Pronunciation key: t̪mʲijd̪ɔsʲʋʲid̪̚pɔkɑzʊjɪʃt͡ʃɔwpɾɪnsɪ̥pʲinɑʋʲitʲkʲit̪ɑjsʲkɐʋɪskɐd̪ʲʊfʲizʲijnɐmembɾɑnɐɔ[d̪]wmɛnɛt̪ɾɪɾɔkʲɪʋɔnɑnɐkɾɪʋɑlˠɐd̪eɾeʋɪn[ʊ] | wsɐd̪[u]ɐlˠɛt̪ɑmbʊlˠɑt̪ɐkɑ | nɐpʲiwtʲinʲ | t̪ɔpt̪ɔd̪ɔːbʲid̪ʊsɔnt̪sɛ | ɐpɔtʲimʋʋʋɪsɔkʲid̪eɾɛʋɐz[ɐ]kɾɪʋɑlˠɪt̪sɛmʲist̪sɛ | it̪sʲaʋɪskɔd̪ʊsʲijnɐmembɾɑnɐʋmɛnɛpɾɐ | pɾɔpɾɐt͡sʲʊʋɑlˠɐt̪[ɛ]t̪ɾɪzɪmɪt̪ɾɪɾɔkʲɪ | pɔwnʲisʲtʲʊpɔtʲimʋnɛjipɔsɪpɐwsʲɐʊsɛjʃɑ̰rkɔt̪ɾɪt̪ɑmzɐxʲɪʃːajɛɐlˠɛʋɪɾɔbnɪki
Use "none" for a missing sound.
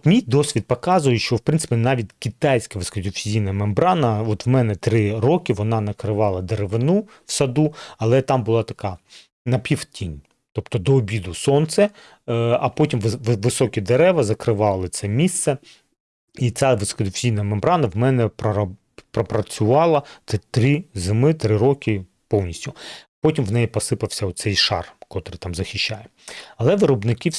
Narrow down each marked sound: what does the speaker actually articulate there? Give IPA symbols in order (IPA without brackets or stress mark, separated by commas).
t̪, u, u, ɐ, ɛ